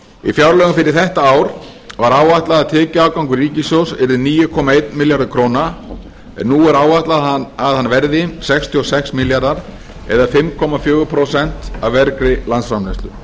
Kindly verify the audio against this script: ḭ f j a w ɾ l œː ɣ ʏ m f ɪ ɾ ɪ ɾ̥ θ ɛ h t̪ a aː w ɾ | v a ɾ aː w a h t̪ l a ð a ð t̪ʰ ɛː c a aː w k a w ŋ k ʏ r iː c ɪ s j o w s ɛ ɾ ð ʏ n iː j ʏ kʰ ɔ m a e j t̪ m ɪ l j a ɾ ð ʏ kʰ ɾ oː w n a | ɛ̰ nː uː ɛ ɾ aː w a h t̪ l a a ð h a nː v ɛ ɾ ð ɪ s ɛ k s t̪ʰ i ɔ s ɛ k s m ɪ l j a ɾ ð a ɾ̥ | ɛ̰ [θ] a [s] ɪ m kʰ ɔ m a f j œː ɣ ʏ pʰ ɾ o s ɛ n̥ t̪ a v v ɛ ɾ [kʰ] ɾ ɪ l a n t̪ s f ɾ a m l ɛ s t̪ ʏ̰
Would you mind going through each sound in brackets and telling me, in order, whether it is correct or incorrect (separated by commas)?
incorrect, incorrect, incorrect